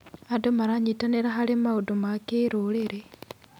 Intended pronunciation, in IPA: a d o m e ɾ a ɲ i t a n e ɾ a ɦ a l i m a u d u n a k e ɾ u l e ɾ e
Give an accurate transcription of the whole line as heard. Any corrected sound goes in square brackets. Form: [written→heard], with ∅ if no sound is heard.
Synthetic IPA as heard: a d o m [e→a] ɾ a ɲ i t a n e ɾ a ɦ a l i m a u d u [n→m] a k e ɾ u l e ɾ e